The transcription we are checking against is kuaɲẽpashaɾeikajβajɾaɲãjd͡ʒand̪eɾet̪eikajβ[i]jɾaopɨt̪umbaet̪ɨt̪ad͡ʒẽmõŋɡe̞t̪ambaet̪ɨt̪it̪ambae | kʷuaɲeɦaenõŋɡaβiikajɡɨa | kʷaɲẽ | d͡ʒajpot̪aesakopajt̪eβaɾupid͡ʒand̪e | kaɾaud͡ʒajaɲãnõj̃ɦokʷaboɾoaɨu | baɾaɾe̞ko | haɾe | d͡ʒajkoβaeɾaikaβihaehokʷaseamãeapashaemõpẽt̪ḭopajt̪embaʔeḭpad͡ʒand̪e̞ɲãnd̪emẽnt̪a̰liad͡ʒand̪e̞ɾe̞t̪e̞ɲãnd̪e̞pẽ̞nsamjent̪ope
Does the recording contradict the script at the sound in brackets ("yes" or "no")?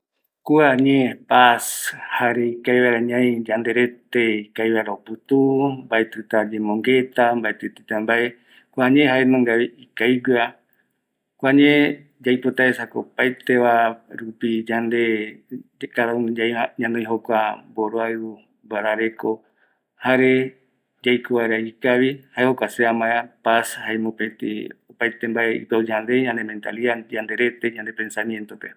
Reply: yes